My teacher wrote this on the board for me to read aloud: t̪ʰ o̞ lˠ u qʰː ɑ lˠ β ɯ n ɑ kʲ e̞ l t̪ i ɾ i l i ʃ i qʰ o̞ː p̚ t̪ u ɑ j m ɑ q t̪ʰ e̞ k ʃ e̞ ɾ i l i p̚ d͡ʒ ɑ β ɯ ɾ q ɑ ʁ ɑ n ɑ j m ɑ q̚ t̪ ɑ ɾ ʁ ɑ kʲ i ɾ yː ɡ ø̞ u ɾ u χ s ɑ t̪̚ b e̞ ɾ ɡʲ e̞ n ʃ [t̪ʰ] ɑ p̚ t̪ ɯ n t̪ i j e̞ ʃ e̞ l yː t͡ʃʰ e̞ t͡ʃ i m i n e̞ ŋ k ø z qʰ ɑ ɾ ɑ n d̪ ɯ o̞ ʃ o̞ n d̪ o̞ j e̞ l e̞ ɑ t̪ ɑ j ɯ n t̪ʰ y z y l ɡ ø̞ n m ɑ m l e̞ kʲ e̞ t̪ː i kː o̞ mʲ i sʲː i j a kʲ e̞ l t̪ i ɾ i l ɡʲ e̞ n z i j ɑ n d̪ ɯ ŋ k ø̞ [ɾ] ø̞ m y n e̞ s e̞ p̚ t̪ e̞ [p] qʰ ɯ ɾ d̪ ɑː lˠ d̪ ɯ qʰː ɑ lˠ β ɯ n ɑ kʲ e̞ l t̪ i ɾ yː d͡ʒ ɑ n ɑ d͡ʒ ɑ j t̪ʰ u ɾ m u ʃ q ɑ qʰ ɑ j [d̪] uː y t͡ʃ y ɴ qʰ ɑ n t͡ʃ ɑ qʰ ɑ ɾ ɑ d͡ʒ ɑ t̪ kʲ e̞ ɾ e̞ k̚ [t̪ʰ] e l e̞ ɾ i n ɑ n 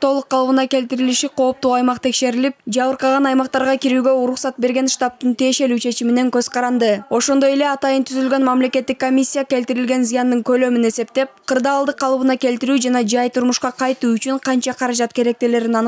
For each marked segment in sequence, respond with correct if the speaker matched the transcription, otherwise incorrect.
incorrect: t̪, incorrect: l, correct, incorrect: t̪, incorrect: t̪

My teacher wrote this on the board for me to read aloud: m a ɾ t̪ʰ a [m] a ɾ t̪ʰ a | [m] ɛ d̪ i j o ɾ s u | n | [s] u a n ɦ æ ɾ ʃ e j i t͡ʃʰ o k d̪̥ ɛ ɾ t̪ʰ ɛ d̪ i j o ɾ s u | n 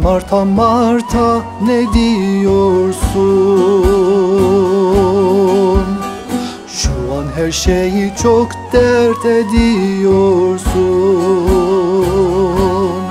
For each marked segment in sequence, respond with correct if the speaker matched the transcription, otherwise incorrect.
correct, incorrect: n, incorrect: ʃ

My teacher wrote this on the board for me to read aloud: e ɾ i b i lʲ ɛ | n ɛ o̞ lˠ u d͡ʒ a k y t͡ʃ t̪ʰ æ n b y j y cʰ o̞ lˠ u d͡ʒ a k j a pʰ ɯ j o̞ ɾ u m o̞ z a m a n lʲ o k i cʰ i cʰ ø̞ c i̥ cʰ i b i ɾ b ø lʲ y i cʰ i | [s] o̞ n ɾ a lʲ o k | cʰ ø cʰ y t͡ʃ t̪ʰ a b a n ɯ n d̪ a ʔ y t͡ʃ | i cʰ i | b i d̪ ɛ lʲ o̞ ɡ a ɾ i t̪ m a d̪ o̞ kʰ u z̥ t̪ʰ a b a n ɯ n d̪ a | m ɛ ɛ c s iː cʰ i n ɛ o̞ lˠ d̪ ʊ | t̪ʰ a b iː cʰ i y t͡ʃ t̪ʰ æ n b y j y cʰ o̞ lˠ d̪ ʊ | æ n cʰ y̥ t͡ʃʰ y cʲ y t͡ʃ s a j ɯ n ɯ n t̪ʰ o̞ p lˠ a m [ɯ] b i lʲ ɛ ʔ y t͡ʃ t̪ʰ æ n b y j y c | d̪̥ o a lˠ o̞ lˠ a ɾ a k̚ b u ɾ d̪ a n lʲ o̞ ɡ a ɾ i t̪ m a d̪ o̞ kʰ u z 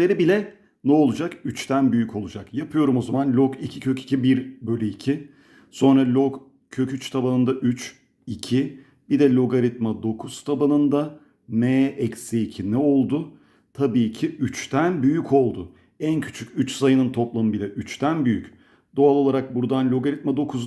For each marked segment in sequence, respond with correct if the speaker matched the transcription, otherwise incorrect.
correct, correct

